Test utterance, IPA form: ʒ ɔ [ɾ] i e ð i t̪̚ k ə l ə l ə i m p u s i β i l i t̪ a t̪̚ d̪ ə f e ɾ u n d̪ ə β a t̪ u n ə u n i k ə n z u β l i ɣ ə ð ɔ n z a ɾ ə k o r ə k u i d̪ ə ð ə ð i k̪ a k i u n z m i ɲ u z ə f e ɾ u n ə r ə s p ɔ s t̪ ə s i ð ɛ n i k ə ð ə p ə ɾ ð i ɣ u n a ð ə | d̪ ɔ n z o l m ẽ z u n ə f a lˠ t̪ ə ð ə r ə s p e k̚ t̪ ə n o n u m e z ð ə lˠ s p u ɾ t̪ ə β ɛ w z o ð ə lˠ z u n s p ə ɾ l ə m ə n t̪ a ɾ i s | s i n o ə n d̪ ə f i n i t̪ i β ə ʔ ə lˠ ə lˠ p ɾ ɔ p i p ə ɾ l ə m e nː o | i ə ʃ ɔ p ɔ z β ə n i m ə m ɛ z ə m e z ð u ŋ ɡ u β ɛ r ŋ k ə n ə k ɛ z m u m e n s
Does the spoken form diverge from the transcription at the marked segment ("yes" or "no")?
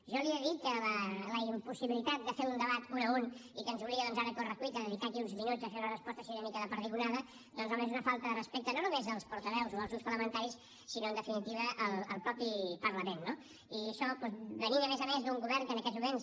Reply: yes